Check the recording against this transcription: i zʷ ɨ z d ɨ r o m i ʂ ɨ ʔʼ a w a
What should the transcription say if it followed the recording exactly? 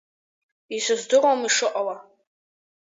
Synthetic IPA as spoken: i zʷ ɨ z d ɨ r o m i ʂ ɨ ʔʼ a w a